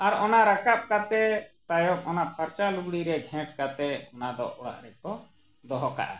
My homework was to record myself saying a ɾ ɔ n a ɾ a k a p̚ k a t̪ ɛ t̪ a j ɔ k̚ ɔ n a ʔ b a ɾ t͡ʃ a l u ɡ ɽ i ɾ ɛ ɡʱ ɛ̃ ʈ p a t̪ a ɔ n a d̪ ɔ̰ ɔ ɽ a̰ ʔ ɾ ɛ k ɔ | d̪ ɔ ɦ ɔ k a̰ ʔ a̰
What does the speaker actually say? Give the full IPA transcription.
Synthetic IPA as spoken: a ɾ ɔ n a ɾ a k a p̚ k a t̪ ɛ t̪ a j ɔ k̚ ɔ n a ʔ p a ɾ t͡ʃ a l u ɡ ɽ i ɾ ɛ ɡʱ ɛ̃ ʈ k a t̪ ɛ ɔ n a d̪ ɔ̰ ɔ ɽ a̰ ʔ ɾ ɛ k ɔ | d̪ ɔ ɦ ɔ k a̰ ʔ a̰